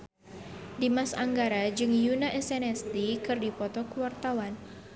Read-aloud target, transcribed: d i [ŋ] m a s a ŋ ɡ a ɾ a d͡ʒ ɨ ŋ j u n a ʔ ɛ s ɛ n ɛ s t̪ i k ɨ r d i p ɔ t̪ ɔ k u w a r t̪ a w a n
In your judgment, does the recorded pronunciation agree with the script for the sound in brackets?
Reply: no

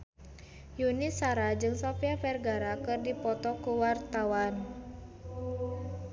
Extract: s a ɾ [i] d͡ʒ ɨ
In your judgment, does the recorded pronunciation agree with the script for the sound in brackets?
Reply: no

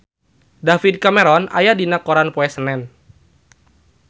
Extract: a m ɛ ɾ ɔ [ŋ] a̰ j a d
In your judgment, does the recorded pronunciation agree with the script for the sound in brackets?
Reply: no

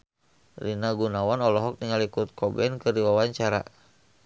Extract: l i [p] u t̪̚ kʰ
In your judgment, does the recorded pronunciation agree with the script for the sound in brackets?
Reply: no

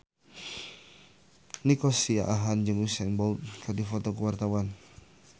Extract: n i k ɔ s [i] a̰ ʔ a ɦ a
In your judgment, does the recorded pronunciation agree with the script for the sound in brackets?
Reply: yes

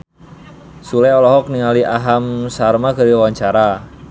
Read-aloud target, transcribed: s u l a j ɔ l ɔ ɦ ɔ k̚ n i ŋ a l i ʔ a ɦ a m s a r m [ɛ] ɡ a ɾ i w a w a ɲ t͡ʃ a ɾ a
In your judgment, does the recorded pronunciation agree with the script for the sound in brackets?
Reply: no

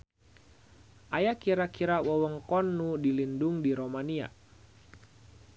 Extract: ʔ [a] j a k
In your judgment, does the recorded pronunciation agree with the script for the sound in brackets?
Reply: yes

